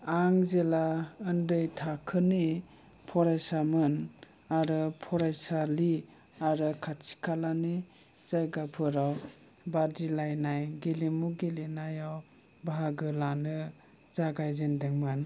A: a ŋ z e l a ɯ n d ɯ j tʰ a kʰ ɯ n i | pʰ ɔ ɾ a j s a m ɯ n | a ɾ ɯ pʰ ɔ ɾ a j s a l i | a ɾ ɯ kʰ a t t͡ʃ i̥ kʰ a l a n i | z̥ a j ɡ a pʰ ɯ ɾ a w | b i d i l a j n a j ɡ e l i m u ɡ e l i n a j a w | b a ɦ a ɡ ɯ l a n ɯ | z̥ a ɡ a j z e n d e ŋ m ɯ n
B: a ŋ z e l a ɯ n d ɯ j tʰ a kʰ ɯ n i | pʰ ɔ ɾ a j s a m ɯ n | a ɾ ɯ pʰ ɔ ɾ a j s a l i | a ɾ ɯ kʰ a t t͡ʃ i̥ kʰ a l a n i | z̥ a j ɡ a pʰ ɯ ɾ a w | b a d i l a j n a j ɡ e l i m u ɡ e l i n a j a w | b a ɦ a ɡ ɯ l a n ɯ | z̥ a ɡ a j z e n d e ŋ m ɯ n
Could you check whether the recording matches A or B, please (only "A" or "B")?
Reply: B